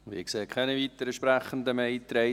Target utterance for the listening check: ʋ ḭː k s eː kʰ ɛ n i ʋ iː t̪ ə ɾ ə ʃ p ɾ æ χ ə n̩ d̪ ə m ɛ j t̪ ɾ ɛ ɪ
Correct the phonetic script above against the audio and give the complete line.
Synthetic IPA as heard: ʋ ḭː k s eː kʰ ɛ n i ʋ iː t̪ ə ɾ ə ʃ p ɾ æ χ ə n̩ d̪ ə m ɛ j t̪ ɾ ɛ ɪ